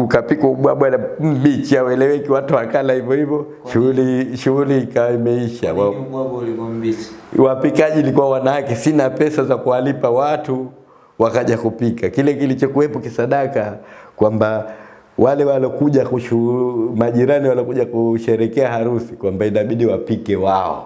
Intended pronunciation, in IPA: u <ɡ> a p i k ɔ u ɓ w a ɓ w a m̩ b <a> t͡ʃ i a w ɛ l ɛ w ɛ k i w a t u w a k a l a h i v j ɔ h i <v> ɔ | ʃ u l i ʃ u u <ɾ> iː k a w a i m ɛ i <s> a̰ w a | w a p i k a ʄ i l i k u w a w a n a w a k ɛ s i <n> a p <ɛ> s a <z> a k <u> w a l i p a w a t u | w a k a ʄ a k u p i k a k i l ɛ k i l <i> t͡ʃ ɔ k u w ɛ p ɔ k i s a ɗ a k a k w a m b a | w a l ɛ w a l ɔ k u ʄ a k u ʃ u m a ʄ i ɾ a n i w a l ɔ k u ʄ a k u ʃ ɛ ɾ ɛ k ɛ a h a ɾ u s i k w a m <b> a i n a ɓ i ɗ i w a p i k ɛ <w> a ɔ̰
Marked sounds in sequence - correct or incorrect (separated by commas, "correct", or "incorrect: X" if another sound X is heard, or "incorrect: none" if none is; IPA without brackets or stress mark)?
incorrect: k, incorrect: i, correct, incorrect: l, incorrect: ʃ, correct, correct, correct, correct, correct, correct, correct